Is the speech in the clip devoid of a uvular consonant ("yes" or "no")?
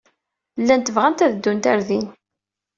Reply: no